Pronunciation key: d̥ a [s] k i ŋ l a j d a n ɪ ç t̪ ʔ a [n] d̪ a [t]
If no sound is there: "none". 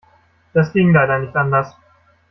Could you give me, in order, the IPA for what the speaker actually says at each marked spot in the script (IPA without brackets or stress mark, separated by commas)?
s, n, s